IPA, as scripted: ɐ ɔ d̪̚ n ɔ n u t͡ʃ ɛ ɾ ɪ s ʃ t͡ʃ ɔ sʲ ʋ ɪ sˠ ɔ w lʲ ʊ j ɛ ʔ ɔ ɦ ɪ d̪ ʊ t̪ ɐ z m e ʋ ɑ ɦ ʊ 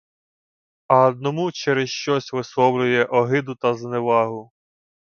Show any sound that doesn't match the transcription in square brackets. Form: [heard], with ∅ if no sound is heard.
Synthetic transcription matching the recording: ɐ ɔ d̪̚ n ɔ [m] u t͡ʃ ɛ ɾ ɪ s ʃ t͡ʃ ɔ sʲ ʋ ɪ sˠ ɔ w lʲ ʊ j ɛ ʔ ɔ ɦ ɪ d̪ ʊ t̪ ɐ z [n] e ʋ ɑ ɦ ʊ